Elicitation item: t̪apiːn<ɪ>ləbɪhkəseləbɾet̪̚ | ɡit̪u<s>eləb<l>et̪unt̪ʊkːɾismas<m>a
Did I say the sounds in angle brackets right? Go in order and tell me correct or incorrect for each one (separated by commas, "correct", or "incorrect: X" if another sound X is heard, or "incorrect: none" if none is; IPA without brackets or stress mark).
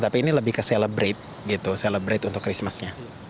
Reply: incorrect: i, correct, incorrect: ɾ, incorrect: ɲ